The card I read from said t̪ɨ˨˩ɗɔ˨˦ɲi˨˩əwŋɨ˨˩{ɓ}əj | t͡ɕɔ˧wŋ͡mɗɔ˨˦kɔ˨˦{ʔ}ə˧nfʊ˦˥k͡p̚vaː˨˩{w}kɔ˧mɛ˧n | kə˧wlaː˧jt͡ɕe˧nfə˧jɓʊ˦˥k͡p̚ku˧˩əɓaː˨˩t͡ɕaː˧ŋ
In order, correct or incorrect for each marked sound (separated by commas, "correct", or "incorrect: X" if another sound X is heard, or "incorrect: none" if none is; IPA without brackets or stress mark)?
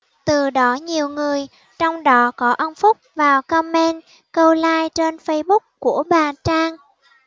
incorrect: none, correct, correct